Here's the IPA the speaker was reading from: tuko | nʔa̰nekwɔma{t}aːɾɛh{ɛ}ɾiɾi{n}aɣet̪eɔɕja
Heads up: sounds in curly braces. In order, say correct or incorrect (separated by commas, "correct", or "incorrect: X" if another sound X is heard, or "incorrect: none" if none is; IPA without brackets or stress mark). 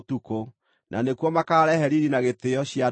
incorrect: k, correct, correct